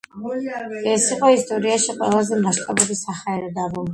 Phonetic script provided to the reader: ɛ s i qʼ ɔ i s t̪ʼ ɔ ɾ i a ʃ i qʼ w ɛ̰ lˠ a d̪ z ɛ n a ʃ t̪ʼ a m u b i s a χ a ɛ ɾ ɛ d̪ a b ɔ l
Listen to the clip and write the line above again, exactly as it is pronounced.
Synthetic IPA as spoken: ɛ s i qʼ ɔ i s t̪ʼ ɔ ɾ i a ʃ i qʼ w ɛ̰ lˠ a z ɛ m a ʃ t̪ʼ a b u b i s a χ a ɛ ɾ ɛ d̪ a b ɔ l